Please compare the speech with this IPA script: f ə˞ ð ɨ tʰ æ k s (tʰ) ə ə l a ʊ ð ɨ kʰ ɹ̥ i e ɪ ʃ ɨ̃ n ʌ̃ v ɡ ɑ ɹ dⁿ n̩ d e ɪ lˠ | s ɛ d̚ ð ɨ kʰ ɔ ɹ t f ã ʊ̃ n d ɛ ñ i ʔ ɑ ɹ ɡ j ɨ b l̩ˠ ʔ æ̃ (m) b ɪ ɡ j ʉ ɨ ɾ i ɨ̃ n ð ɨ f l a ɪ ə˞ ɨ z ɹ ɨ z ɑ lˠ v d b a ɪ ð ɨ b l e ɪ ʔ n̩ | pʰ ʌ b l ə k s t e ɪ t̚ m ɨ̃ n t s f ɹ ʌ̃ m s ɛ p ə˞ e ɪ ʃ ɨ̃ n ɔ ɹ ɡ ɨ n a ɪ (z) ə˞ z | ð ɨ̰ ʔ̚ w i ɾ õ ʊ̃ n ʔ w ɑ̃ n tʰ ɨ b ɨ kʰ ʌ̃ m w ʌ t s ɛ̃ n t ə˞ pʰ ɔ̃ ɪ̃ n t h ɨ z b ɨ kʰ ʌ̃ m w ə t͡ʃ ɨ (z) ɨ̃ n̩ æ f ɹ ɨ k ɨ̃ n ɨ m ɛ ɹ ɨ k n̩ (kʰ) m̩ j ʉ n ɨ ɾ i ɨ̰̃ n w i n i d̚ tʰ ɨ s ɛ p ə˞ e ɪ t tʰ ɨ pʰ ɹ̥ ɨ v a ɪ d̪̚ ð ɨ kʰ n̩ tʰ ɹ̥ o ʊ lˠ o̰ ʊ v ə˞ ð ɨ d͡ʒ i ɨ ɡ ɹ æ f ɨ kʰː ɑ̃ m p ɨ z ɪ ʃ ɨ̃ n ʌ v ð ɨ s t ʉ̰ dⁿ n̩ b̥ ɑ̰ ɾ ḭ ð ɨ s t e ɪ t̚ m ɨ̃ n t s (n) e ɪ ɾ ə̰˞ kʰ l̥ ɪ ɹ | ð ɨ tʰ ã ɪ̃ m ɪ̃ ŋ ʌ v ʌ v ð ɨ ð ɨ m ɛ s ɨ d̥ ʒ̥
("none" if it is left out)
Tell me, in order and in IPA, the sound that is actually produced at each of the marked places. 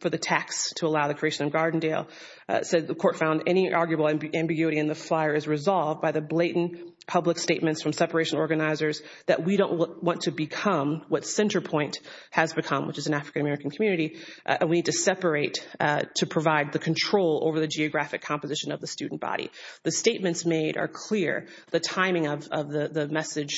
tʰ, m, z, z, kʰ, m

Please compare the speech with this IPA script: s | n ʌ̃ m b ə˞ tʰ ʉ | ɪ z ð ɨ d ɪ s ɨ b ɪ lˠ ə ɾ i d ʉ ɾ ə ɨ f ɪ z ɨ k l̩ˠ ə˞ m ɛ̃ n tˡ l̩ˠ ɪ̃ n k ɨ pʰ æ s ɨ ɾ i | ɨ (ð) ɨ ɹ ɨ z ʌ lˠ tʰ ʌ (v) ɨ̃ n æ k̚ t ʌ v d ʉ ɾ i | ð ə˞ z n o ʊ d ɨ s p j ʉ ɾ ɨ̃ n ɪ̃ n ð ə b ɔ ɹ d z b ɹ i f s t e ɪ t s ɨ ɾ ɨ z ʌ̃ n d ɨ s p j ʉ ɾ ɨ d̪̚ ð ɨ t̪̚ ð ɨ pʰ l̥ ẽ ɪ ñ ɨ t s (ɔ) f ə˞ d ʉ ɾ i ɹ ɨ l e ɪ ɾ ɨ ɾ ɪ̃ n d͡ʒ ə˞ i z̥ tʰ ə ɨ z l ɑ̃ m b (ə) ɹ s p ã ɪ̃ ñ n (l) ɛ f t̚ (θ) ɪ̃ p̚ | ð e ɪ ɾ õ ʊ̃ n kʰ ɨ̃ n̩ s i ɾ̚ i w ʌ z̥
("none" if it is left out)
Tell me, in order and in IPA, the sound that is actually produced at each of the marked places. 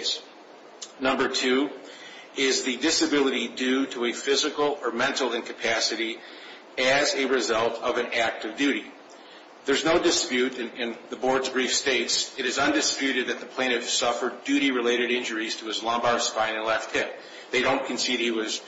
z, v, ʌ, ɑ, l, h

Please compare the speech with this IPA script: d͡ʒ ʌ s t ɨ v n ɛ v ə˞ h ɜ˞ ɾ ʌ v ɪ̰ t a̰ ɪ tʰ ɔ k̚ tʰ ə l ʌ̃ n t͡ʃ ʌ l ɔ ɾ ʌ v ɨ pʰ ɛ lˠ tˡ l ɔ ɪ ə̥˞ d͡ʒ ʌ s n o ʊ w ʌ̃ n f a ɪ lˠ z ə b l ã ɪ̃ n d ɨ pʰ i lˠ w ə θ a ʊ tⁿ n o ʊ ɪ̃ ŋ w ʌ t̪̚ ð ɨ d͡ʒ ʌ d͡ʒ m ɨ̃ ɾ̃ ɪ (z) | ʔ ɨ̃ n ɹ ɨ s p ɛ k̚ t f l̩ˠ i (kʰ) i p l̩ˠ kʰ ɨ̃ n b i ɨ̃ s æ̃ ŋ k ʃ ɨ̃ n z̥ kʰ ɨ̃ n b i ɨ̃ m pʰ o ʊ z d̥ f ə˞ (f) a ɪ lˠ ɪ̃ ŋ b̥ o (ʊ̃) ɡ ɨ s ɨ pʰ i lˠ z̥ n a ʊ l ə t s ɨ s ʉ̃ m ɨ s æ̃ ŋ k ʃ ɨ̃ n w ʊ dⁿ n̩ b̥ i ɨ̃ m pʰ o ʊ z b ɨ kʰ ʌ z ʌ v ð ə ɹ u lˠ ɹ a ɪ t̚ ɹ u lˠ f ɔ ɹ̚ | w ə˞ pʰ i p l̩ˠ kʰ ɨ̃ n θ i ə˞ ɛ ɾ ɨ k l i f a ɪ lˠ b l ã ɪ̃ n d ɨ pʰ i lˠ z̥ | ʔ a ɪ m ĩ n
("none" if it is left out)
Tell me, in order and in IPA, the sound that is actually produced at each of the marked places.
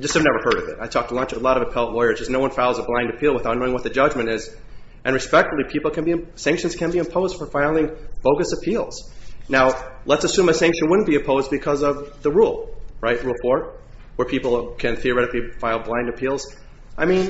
z, pʰ, f, ʊ

